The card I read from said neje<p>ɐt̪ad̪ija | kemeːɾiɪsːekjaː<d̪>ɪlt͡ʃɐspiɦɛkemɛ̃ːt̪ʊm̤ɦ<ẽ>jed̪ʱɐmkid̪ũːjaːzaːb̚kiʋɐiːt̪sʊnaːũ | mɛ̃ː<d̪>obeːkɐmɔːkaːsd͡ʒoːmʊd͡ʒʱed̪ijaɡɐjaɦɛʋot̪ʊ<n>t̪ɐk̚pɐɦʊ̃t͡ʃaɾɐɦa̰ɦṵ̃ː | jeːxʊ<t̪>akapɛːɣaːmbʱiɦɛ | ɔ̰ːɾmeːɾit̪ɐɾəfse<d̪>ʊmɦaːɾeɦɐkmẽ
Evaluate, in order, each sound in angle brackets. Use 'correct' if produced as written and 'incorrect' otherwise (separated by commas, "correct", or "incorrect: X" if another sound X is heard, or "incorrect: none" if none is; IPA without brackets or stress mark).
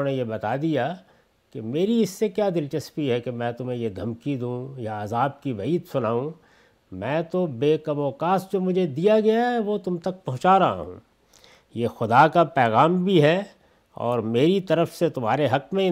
incorrect: b, correct, correct, incorrect: t̪, incorrect: m, incorrect: d̪, incorrect: t̪